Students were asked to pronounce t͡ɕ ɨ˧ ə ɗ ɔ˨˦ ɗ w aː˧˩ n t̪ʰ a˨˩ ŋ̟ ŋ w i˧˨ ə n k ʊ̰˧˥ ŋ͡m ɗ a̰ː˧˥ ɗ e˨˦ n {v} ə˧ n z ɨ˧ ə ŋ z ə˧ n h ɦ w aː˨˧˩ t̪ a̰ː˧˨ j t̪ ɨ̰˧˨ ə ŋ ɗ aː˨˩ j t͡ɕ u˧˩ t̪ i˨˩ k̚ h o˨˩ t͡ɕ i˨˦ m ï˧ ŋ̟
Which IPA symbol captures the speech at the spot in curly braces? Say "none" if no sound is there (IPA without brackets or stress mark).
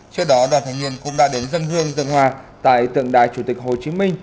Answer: z